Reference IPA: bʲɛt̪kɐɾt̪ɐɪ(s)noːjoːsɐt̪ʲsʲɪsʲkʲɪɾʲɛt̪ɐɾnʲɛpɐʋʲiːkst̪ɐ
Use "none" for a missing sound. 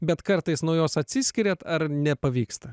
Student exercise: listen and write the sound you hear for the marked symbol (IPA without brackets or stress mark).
s